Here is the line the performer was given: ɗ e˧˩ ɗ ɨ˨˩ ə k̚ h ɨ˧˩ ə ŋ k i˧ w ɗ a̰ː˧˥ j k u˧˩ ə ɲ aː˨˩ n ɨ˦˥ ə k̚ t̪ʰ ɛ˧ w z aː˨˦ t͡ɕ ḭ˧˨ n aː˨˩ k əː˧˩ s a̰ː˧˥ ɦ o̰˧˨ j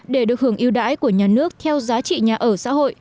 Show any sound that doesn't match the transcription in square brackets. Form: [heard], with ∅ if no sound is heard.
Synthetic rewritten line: ɗ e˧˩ ɗ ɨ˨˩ ə k̚ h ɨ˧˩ ə ŋ [ʔ] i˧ w ɗ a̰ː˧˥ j k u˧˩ ə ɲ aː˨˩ n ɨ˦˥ ə k̚ t̪ʰ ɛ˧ w z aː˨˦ t͡ɕ ḭ˧˨ [ɲ] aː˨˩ [ʔ] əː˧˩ s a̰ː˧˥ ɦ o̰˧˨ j